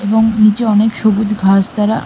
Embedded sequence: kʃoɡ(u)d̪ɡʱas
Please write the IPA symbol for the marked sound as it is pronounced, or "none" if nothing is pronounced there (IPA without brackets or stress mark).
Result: u